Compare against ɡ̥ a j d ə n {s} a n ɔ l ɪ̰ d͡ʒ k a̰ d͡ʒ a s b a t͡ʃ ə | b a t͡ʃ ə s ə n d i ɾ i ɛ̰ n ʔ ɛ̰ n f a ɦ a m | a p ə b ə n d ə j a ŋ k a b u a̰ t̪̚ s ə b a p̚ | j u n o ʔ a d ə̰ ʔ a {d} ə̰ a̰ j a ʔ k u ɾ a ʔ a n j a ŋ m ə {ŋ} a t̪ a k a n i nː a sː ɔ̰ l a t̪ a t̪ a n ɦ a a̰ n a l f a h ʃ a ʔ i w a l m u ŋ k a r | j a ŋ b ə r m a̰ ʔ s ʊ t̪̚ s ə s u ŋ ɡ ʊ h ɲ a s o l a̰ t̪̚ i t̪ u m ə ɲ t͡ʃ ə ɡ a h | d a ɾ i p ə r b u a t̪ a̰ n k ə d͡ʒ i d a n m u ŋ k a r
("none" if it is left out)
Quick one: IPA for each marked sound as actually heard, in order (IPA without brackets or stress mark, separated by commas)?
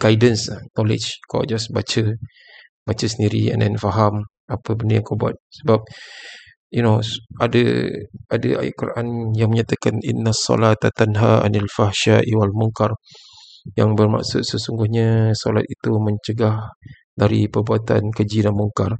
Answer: s, d, ɲ